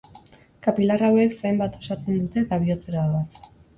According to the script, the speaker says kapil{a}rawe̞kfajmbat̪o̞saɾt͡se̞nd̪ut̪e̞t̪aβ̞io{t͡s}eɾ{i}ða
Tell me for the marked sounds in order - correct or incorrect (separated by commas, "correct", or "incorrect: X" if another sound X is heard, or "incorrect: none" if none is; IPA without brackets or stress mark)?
correct, correct, incorrect: a